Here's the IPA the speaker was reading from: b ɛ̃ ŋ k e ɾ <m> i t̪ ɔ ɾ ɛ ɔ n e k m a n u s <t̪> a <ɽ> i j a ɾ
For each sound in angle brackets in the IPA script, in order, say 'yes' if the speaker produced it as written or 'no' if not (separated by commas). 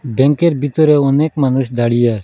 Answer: no, no, yes